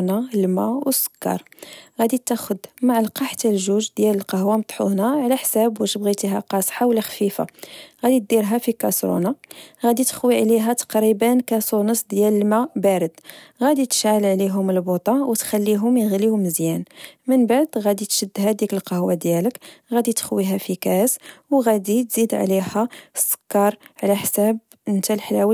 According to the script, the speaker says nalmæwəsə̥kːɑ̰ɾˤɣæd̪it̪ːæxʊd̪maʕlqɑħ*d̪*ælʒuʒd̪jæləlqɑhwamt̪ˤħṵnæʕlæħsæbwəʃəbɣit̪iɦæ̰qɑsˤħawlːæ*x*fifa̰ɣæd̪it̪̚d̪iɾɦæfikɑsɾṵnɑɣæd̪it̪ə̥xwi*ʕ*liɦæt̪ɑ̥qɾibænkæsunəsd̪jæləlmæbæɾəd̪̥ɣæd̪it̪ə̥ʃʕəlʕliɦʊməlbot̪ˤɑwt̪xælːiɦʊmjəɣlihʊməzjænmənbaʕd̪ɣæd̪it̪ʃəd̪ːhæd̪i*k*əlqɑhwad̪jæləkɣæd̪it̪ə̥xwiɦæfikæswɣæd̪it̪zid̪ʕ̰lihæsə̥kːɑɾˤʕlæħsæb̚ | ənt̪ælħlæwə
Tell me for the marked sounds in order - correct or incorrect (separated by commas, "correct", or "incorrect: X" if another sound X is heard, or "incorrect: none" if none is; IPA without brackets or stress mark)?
incorrect: t̪, correct, correct, correct